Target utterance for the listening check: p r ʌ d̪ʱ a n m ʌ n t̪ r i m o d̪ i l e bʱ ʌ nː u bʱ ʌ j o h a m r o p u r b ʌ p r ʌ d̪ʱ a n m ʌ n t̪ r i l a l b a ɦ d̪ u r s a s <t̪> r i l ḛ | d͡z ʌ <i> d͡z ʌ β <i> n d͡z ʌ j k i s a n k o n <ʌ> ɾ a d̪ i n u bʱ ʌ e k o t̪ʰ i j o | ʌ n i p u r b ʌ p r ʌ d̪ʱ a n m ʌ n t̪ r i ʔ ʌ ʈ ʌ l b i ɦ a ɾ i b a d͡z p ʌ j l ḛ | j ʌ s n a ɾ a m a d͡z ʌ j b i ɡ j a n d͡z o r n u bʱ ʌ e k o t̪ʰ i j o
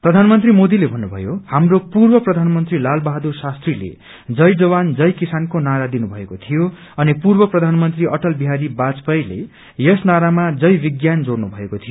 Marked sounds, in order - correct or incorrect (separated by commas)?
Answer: correct, incorrect, incorrect, incorrect